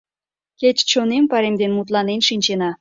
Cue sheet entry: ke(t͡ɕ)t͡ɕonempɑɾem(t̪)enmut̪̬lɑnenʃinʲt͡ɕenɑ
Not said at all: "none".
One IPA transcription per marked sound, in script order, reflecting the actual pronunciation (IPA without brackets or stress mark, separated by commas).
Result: t͡ɕ, d̪